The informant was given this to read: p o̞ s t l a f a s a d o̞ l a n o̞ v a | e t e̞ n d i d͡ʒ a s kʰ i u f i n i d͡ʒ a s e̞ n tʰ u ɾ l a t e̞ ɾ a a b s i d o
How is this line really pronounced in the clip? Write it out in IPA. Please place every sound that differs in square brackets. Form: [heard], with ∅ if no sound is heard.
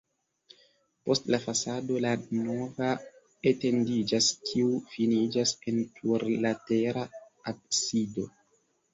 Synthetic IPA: p o̞ s t l a f a s a d o̞ l a n o̞ v a | e t e̞ n d i d͡ʒ a s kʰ i u f i n i d͡ʒ a s e̞ n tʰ u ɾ l a t e̞ ɾ a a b s i d o